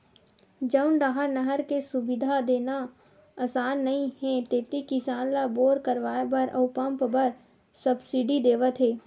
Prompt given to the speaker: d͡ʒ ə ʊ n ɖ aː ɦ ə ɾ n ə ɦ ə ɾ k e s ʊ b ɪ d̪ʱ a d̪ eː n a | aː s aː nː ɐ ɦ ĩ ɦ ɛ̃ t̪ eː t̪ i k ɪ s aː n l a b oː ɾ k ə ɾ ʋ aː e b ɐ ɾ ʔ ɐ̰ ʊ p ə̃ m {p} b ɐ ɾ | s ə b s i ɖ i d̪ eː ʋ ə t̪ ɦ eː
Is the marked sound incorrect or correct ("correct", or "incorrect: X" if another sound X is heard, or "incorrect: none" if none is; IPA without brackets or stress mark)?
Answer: correct